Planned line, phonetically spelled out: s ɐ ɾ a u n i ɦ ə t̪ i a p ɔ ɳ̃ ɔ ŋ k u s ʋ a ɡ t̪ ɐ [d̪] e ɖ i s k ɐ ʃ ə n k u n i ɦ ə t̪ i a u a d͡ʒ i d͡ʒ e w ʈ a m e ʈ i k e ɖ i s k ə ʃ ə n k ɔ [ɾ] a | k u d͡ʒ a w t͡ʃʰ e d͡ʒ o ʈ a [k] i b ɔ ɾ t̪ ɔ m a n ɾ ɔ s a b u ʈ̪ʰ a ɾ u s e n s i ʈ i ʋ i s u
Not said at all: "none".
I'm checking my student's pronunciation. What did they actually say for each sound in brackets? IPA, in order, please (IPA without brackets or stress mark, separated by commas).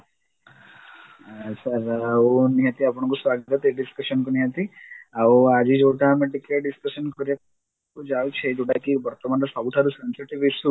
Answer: t̪, ɾ, k